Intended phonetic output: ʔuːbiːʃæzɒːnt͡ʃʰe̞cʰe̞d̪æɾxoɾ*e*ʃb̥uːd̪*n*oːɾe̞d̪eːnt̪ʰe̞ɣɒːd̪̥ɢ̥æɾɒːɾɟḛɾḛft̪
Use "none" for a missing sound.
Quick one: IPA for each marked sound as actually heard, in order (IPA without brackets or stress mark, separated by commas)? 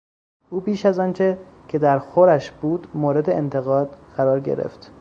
æ, m